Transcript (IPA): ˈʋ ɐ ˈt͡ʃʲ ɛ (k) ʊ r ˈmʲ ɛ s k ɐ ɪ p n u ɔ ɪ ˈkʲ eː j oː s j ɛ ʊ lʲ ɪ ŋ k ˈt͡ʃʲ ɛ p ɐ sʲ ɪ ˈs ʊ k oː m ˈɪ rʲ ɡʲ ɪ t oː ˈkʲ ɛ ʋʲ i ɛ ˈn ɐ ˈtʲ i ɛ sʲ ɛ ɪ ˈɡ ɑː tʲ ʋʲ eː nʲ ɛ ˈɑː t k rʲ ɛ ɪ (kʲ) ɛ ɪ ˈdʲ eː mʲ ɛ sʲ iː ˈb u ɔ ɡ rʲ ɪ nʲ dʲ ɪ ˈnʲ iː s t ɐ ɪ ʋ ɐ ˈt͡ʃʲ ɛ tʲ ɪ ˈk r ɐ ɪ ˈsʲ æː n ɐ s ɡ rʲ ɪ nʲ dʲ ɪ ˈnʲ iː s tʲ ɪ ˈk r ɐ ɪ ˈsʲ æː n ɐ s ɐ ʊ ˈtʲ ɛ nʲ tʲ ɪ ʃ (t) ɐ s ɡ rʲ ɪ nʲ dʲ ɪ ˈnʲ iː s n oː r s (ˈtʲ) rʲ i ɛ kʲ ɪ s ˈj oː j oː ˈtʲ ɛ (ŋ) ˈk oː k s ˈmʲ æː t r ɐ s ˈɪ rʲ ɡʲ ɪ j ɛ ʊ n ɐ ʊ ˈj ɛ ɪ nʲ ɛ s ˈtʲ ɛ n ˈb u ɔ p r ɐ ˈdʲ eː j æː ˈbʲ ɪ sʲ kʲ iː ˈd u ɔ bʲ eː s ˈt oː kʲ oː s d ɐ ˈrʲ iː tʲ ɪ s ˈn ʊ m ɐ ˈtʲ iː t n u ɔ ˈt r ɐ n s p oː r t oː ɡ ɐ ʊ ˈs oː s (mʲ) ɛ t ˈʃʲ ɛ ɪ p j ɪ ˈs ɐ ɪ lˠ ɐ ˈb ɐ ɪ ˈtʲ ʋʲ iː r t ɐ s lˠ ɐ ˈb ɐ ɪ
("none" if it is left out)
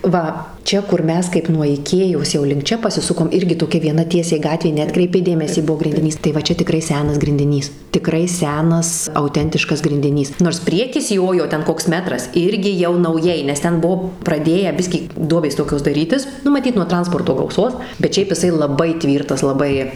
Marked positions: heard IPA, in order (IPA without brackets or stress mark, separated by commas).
k, pʲ, k, pʲ, n, bʲ